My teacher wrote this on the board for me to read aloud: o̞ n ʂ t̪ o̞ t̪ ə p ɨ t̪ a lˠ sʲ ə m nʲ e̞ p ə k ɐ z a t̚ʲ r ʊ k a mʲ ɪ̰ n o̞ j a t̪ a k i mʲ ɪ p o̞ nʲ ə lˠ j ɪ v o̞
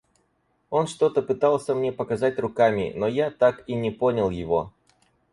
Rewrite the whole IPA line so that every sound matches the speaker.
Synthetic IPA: o̞ n ʂ t̪ o̞ t̪ ə p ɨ t̪ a lˠ sʲ ə m nʲ e̞ p ə k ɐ z a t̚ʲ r ʊ k a mʲ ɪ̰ n o̞ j a t̪ a k i nʲ ɪ p o̞ nʲ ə lˠ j ɪ v o̞